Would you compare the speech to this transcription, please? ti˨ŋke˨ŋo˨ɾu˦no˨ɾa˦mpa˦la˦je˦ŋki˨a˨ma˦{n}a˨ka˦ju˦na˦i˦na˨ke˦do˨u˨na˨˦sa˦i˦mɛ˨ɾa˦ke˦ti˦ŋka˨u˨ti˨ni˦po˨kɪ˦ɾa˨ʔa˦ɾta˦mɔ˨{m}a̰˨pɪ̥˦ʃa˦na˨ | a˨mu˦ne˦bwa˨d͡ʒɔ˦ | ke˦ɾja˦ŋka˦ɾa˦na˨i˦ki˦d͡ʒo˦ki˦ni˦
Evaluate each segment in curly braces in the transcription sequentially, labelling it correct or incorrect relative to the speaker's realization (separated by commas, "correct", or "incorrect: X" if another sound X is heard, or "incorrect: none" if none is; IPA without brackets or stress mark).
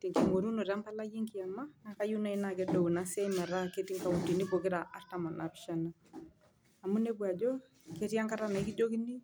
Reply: correct, incorrect: n